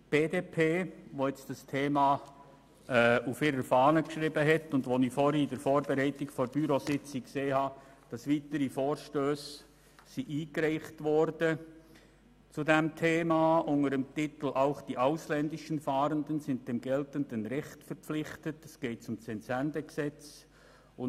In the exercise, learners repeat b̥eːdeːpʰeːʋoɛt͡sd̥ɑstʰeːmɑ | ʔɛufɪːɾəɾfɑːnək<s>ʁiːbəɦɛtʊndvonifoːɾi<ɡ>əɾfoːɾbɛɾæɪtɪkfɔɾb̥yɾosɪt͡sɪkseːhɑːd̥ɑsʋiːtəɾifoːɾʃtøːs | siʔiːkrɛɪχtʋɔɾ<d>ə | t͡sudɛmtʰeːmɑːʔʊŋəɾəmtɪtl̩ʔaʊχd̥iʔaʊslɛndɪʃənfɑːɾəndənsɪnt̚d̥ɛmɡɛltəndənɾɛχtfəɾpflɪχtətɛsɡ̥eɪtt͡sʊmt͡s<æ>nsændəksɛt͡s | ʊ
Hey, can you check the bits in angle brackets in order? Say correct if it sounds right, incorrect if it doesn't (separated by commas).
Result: incorrect, incorrect, correct, incorrect